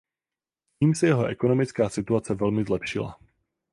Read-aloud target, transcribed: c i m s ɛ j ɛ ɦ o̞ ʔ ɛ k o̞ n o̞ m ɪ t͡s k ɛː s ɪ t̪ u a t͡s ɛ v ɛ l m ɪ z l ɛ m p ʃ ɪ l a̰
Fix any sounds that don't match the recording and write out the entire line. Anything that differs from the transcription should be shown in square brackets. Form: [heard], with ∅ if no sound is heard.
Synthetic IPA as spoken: c [iː] m s ɛ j ɛ ɦ o̞ ʔ ɛ k o̞ n o̞ m ɪ t͡s k [aː] s ɪ t̪ u a t͡s ɛ v ɛ l m ɪ z l ɛ [∅] p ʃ ɪ l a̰